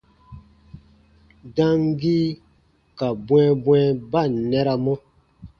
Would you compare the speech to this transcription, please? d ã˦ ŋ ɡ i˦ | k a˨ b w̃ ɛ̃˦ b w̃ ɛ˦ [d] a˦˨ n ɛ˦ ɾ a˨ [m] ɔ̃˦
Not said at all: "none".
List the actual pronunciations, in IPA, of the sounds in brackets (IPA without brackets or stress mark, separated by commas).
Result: b, m